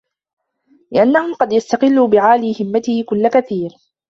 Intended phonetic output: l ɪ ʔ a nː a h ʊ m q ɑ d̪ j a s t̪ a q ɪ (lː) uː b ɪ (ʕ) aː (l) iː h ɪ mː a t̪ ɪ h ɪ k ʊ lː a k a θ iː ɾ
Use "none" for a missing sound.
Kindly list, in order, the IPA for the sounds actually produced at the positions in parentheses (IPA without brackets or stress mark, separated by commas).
lː, ʕ, l